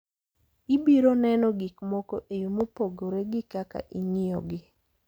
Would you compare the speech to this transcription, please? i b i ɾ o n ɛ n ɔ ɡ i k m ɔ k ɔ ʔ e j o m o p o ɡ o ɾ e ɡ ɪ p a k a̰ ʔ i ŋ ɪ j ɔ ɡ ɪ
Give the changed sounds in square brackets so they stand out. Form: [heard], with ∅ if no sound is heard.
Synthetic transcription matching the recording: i b i ɾ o n ɛ n ɔ ɡ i k m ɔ k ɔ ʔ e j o m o p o ɡ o ɾ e ɡ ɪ [k] a k a̰ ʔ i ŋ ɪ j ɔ ɡ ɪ